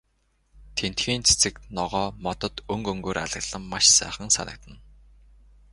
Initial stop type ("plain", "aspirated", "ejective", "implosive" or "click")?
aspirated